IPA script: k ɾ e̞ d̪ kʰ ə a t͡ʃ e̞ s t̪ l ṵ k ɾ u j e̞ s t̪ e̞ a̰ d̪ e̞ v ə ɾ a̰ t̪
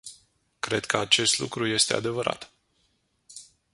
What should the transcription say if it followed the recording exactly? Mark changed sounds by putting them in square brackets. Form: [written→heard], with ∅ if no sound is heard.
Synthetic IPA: k ɾ e̞ d̪ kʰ ə a t͡ʃ e̞ s t̪ l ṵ k ɾ u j e̞ s t̪ e̞ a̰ d̪ e̞ v ə ɾ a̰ t̪